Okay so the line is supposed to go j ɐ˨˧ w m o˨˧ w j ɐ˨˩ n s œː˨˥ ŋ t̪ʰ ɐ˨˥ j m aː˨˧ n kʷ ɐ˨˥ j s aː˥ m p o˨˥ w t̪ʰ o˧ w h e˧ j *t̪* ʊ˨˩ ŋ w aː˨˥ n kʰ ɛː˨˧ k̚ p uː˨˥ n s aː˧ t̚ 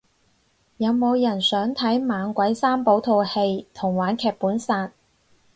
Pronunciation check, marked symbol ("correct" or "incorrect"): incorrect